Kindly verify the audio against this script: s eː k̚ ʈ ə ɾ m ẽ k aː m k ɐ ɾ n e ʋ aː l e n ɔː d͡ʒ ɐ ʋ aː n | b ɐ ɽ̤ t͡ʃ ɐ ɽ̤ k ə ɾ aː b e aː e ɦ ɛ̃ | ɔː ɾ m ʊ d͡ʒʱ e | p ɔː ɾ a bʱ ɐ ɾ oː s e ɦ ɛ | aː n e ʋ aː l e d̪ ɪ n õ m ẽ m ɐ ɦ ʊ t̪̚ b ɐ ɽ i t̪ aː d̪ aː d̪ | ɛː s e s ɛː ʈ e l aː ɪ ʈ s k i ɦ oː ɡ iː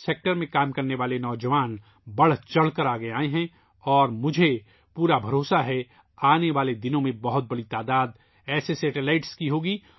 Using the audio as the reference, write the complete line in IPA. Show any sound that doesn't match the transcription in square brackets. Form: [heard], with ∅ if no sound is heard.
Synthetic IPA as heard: s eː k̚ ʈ ə ɾ m ẽ k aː m k ɐ ɾ n e ʋ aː l e n ɔː d͡ʒ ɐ ʋ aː n | b ɐ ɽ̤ t͡ʃ ɐ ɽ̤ k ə ɾ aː [ɡ] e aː e ɦ ɛ̃ | ɔː ɾ m ʊ d͡ʒʱ e | p [uː] ɾ a bʱ ɐ ɾ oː s [a] ɦ ɛ | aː n e ʋ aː l e d̪ ɪ n õ m ẽ [b] ɐ ɦ ʊ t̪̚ b ɐ ɽ i t̪ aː d̪ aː d̪ | ɛː s e s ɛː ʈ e l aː ɪ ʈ s k i ɦ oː ɡ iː

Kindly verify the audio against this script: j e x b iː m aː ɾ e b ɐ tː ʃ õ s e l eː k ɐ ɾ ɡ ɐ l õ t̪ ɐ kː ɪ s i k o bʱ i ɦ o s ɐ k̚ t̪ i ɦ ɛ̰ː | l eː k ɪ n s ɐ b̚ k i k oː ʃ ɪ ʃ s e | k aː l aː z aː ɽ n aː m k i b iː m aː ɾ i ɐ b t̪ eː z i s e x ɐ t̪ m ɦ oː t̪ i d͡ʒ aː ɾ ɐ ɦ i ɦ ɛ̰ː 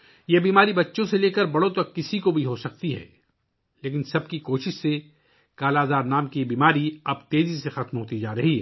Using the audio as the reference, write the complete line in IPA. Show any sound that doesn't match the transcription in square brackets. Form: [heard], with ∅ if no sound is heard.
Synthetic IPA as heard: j e [∅] b iː m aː ɾ [i] b ɐ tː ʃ õ s e l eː k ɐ ɾ [b] ɐ [ɽ] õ t̪ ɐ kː ɪ s i k o bʱ i ɦ o s ɐ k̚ t̪ i ɦ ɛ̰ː | l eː k ɪ n s ɐ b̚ k i k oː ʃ ɪ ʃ s e | k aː l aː z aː [ɾ] n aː m k i b iː m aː ɾ i ɐ b t̪ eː z i s e x ɐ t̪ m ɦ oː t̪ i d͡ʒ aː ɾ ɐ ɦ i ɦ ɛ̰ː

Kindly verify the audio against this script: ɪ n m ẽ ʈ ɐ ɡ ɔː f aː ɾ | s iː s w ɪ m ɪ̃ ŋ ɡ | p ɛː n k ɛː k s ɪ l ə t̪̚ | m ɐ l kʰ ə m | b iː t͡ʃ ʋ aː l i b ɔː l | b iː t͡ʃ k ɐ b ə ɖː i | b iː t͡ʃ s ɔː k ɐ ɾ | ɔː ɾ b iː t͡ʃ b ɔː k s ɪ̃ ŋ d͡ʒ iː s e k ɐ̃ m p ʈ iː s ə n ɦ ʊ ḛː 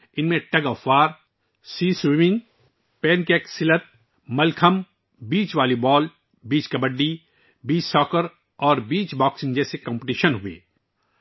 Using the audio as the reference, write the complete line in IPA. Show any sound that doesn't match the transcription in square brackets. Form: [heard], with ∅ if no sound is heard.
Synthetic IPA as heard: ɪ n m ẽ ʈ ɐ ɡ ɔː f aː ɾ | s iː s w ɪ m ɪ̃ ŋ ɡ | p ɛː n k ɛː k s ɪ l ə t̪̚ | m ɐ l kʰ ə m | b iː t͡ʃ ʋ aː l i b ɔː l | b iː t͡ʃ k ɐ b ə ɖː i | b iː t͡ʃ s ɔː k [ə] ɾ | ɔː ɾ b iː t͡ʃ b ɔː k s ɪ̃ ŋ d͡ʒ [ɛː] s e k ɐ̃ m p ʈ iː [ʃ] ə n ɦ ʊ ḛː

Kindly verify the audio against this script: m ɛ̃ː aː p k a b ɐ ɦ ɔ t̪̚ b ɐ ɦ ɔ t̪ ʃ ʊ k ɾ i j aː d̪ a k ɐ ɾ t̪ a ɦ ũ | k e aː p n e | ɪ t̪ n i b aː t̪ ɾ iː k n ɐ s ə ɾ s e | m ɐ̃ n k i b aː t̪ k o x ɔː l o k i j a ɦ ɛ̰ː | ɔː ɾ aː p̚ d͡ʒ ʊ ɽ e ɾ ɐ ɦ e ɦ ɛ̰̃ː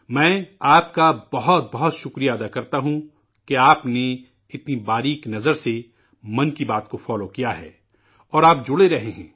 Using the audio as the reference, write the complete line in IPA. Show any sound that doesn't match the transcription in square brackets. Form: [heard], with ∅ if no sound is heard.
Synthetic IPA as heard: m ɛ̃ː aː p k a b ɐ ɦ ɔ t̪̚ b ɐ ɦ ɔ t̪ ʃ ʊ k ɾ i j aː d̪ a k ɐ ɾ t̪ a ɦ ũ | k e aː p n e | ɪ t̪ n i b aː [∅] ɾ iː k n ɐ [z] ə ɾ s e | m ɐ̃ n k i b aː t̪ k o [f] ɔː l o k i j a ɦ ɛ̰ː | ɔː ɾ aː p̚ d͡ʒ ʊ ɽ e ɾ ɐ ɦ e ɦ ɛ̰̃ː

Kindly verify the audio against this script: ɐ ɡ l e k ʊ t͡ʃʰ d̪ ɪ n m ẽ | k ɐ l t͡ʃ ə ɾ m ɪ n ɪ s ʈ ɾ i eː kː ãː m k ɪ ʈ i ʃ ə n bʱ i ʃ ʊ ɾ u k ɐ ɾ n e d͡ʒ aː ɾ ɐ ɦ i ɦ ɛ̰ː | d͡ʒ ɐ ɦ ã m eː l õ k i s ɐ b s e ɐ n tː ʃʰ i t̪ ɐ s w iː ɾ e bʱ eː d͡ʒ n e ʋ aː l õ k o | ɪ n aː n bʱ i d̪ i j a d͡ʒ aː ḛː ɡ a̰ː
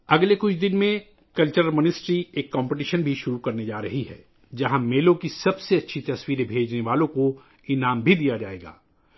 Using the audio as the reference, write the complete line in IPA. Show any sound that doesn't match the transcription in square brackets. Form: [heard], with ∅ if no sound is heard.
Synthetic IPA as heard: ɐ ɡ l e k ʊ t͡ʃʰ d̪ ɪ n m ẽ | k ɐ l t͡ʃ ə ɾ m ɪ n ɪ s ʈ ɾ i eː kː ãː m [p] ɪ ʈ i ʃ ə n bʱ i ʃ ʊ ɾ u k ɐ ɾ n e d͡ʒ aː ɾ ɐ ɦ i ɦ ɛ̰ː | d͡ʒ ɐ ɦ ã m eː l õ k i s ɐ b s e ɐ [∅] tː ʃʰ i t̪ ɐ s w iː ɾ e bʱ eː d͡ʒ n e ʋ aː l õ k o | ɪ n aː [m] bʱ i d̪ i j a d͡ʒ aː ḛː ɡ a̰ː

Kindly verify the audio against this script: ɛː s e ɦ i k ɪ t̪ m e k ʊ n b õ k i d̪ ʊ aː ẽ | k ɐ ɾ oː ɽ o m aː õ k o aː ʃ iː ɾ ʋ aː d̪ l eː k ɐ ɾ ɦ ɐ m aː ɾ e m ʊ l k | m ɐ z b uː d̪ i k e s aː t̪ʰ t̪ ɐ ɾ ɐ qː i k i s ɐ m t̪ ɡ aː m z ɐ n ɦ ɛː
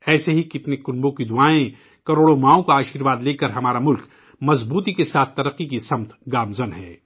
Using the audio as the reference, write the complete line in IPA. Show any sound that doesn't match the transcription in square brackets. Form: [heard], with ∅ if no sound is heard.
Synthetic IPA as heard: ɛː s e ɦ i k ɪ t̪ [n] e k ʊ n b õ k i d̪ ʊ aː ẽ | k ɐ ɾ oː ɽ o m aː õ k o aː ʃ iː ɾ ʋ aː d̪ l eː k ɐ ɾ ɦ ɐ m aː ɾ [a] m ʊ l k | m ɐ z b uː [t̪] i k e s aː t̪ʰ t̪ ɐ ɾ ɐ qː i k i s ɐ m t̪ ɡ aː m z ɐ n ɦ ɛː

